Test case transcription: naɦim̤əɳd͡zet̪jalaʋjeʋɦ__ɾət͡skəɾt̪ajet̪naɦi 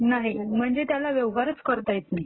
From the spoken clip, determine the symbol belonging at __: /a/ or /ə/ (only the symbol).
a